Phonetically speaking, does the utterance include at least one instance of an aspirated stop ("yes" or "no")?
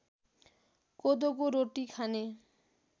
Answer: yes